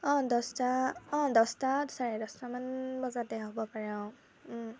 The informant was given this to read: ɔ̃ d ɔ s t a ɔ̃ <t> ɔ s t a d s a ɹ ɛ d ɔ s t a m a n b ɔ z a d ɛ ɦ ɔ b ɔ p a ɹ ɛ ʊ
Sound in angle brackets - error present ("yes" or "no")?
yes